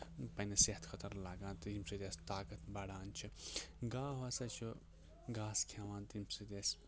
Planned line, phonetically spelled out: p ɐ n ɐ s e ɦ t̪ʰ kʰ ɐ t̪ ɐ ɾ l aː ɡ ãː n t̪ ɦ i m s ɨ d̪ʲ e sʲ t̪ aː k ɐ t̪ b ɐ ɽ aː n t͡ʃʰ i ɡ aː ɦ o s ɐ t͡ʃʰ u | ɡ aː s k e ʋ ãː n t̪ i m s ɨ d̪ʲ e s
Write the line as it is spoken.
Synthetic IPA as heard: p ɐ n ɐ s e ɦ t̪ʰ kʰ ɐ t̪ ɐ ɾ l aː ɡ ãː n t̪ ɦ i m s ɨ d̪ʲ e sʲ t̪ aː k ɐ t̪ b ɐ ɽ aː n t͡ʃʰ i ɡ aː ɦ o s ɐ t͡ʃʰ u | ɡ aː s kʰ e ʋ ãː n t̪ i m s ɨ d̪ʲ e s

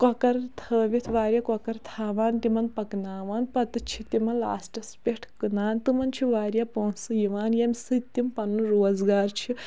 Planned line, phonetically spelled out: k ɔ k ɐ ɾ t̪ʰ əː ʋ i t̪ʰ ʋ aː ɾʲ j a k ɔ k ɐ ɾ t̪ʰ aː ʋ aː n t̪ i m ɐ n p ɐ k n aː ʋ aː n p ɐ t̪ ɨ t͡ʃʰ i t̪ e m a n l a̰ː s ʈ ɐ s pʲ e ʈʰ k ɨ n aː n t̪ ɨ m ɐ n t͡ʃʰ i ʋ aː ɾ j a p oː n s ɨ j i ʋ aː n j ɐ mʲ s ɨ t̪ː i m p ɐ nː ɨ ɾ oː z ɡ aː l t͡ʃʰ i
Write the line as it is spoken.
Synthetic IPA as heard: k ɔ k ɐ ɾ t̪ʰ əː ʋ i t̪ʰ ʋ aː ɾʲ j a k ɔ k ɐ ɾ t̪ʰ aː ʋ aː n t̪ i m ɐ n p ɐ k n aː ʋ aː n p ɐ t̪ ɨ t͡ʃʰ i t̪ i m ɐ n l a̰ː s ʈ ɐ s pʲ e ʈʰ k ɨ n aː n t̪ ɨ m ɐ n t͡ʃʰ i ʋ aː ɾ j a p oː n s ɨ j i ʋ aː n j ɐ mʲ s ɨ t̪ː i m p ɐ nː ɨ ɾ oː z ɡ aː ɾ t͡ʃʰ i

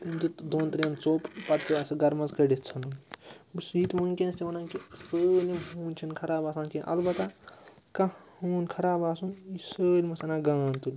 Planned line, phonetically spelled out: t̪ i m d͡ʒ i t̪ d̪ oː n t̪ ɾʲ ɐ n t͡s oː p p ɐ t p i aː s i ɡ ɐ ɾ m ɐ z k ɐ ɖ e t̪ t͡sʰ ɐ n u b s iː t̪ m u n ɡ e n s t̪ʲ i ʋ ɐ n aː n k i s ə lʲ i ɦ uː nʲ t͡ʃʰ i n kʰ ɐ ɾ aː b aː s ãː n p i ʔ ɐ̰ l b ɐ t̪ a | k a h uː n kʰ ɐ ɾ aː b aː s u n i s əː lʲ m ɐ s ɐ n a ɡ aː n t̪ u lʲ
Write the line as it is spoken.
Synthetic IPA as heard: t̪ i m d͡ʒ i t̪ d̪ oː n t̪ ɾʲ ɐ n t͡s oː p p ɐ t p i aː s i ɡ ɐ ɾ m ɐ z k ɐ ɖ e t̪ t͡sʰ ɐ n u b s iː t̪ m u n k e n s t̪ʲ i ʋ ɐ n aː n k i s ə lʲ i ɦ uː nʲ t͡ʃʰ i n kʰ ɐ ɾ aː b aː s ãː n k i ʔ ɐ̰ l b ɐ t̪ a | k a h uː n kʰ ɐ ɾ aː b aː s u n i s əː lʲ m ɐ s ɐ n a ɡ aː n t̪ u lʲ

